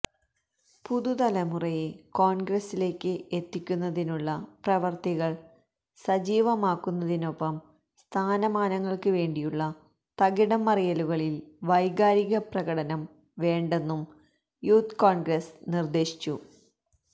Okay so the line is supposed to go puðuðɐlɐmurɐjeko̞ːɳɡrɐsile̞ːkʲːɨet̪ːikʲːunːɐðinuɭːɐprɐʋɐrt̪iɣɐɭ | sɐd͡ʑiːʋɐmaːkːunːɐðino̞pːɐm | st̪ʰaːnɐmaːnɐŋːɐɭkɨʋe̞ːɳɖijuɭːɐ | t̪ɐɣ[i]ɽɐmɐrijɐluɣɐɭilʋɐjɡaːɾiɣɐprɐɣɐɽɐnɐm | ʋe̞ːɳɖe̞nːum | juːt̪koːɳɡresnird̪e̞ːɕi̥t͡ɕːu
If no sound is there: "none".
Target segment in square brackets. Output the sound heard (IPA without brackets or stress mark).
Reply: i